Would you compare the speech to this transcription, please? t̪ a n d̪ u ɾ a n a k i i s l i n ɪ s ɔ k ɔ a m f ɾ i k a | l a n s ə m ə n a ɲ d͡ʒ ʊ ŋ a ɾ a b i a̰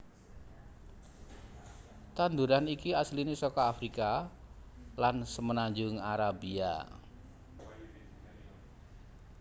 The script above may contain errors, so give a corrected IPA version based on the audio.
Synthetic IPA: t̪ a n d̪ u ɾ a n i k i a s l i n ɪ s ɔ k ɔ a f ɾ i k a | l a n s ə m ə n a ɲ d͡ʒ ʊ ŋ a ɾ a b i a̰